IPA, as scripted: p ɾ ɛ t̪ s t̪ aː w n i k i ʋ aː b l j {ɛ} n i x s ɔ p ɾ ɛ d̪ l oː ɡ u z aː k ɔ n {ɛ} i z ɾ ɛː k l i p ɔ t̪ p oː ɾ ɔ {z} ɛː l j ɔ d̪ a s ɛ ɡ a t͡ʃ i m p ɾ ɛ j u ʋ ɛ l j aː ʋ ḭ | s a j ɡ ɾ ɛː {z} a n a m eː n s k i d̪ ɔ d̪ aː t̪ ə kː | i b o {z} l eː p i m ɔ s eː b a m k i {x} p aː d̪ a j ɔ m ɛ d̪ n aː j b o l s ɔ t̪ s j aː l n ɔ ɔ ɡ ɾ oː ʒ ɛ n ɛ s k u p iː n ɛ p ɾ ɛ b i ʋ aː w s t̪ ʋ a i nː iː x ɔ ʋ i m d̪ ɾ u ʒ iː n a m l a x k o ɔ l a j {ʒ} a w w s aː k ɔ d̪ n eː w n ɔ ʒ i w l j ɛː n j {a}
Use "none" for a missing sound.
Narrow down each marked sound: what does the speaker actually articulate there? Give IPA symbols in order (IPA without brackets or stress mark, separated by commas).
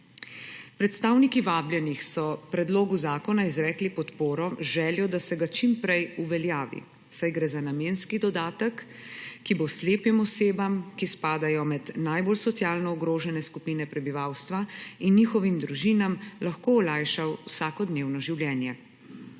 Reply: ɛ, a, ʒ, z, s, s, ʃ, ɛ